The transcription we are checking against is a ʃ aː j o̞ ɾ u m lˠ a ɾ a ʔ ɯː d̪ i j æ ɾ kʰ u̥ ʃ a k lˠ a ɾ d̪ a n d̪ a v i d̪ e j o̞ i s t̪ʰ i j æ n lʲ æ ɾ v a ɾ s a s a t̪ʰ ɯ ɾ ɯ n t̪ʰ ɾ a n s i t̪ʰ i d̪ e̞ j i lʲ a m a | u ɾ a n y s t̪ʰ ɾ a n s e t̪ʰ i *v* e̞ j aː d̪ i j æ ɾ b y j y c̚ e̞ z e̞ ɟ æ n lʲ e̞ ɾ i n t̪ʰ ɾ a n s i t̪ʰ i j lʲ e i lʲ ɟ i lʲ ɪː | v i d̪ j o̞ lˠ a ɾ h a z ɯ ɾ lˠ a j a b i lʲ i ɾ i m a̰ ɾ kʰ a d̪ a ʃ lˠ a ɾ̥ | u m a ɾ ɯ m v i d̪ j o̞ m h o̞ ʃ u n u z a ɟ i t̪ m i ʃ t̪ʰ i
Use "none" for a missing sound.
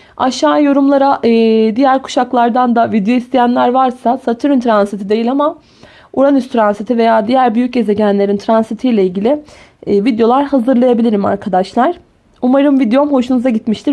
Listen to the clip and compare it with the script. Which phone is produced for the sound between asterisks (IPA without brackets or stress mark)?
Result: v